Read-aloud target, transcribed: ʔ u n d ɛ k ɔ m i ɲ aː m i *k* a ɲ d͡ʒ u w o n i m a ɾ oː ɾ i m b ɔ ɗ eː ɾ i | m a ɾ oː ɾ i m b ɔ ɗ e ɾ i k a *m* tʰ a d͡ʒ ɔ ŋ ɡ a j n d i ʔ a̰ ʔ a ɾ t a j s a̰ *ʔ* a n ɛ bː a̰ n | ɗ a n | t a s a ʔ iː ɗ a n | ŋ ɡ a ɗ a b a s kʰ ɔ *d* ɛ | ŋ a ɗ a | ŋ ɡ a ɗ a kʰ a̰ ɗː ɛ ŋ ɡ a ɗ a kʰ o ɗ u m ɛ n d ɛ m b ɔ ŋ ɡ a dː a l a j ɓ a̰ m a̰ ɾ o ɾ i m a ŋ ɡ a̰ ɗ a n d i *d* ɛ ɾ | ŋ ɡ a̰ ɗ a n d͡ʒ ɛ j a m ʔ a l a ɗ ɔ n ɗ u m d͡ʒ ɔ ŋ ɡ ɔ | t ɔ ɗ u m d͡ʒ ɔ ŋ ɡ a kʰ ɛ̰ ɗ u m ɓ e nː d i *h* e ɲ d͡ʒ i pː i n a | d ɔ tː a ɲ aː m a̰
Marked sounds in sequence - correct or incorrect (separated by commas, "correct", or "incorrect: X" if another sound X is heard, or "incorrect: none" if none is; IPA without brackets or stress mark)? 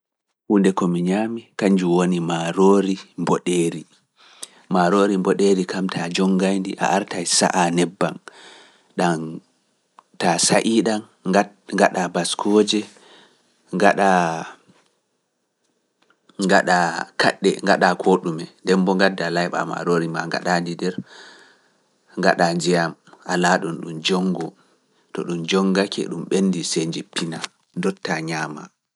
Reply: correct, correct, correct, incorrect: d͡ʒ, correct, incorrect: s